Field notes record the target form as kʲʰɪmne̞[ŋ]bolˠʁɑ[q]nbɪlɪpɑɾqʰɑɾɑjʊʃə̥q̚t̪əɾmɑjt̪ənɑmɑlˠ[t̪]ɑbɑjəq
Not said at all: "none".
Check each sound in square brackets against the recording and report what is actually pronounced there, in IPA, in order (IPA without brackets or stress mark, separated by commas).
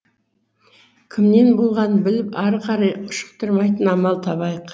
n, none, t̪ʰ